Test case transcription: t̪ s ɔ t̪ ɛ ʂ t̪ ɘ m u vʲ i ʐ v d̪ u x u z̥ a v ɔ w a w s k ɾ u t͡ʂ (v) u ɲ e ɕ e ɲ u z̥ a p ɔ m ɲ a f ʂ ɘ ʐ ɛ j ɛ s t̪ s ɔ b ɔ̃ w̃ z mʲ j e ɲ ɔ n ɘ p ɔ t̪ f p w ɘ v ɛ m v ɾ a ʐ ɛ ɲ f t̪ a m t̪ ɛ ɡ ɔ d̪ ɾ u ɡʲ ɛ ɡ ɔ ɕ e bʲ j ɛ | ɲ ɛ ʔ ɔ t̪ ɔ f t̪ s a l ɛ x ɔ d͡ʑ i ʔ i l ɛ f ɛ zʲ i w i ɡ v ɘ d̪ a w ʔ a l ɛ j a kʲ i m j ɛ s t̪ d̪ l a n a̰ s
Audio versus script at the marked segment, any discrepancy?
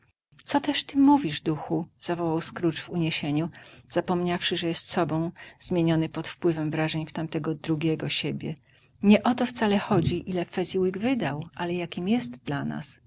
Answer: no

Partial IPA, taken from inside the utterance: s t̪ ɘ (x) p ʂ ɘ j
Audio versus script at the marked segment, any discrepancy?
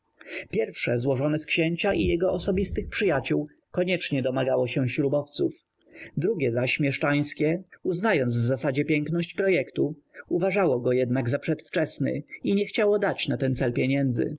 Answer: no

